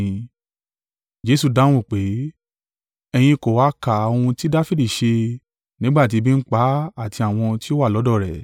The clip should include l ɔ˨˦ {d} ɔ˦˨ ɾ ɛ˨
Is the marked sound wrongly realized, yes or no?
no